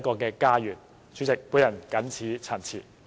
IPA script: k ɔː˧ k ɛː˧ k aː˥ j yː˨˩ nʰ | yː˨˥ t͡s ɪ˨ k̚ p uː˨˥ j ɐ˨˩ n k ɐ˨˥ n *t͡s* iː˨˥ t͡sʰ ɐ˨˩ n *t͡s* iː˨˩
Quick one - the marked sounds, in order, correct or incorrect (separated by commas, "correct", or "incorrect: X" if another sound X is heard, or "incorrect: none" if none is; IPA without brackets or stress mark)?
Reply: incorrect: t͡sʰ, incorrect: t͡sʰ